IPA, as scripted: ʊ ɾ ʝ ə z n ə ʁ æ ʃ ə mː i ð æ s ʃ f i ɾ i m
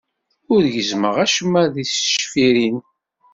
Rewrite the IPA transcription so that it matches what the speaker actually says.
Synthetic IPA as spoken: ʊ ɾ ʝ ə z m ə ʁ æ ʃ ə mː æ ð i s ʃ f i ɾ i n

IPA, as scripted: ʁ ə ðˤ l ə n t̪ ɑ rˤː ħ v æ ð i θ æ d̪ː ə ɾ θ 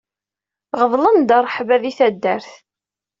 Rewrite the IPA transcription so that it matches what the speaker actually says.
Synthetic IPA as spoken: ʁ ə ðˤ l ə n d̪ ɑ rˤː ħ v æ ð i θ æ d̪ː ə ɾ θ

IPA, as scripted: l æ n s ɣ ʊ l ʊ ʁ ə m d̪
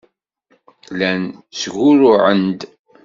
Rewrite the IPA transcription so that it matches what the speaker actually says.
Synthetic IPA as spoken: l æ n s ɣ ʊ ɾ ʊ ʕ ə n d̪

